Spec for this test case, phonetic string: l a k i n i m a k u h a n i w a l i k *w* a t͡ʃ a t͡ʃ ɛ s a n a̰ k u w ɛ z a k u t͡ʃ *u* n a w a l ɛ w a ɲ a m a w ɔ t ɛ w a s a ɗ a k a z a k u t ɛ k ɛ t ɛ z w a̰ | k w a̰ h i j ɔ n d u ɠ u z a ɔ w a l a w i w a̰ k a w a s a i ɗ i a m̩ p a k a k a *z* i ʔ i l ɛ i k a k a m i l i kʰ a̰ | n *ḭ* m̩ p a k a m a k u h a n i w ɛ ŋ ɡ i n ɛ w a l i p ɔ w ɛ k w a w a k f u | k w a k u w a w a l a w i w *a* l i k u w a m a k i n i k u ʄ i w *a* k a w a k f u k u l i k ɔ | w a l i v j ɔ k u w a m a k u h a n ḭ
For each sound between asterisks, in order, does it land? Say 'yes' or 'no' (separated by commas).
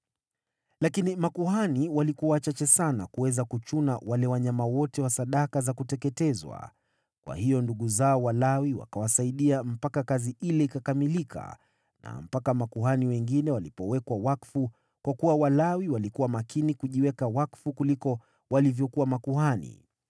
no, yes, yes, no, yes, no